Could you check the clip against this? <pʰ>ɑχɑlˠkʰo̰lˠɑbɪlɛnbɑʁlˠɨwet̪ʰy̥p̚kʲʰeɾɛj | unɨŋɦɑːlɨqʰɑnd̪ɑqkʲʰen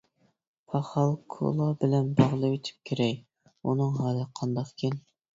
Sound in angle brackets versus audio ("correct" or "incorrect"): correct